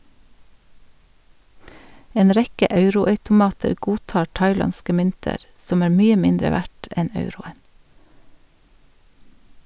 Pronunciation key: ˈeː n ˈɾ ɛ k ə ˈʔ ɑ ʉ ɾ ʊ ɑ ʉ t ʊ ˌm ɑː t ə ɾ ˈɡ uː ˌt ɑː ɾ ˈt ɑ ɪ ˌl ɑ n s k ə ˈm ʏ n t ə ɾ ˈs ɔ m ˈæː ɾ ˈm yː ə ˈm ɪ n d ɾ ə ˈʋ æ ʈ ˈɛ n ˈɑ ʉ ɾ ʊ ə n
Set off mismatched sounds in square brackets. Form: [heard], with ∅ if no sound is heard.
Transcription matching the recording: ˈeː n ˈɾ ɛ k ə ˈʔ ɑ ʉ ɾ ʊ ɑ ʉ t ʊ ˌm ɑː t ə ɾ ˈɡ uː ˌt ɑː ɾ ˈt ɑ ɪ ˌl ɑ n s k ə ˈm ʏ n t ə ɾ ˈs ɔ m ˈæː ɾ ˈm yː ə ˈm ɪ n d ɾ ə ˈʋ æ ʈ ˈɛ n ˈɑ ʉ ɾ ʊ ə n